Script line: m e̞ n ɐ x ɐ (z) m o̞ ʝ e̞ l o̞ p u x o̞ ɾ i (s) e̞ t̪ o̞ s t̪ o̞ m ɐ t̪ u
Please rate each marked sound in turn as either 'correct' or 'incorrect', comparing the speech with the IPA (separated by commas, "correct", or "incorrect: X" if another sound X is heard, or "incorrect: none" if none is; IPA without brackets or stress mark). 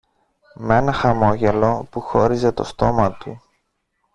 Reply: incorrect: none, incorrect: z